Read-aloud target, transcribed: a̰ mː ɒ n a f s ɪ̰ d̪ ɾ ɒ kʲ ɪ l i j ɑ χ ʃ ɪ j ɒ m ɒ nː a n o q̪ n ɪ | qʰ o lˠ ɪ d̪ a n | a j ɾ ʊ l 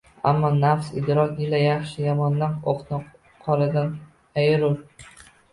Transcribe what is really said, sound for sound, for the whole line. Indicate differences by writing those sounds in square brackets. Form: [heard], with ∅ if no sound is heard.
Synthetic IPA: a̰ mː ɒ n a f s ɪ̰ d̪ ɾ ɒ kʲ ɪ l [a] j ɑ χ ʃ ɪ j ɒ m ɒ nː a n o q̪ n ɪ | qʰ [ɒ] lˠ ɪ d̪ a n | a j ɾ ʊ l